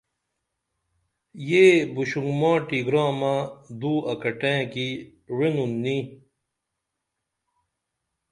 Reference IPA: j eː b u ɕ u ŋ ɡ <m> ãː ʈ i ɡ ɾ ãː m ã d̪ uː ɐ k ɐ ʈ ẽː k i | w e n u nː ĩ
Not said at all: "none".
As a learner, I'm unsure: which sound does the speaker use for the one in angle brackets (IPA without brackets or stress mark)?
m